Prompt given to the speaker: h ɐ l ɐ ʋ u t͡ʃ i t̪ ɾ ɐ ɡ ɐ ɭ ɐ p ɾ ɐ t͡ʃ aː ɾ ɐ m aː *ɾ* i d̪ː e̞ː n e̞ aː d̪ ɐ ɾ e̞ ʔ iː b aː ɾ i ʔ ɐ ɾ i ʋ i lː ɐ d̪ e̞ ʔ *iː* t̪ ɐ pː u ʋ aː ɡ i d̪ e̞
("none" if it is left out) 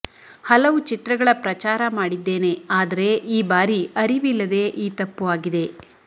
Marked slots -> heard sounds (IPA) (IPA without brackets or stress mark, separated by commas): ɽ, iː